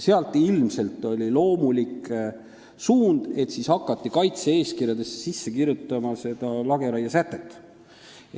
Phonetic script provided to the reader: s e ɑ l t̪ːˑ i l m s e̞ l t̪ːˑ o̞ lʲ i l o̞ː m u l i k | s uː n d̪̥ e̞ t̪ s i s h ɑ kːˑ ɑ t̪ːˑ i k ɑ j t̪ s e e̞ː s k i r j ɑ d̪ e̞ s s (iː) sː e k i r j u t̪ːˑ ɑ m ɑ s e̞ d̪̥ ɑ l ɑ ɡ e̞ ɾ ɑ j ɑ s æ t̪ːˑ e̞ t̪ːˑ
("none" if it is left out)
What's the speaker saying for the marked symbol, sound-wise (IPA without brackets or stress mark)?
i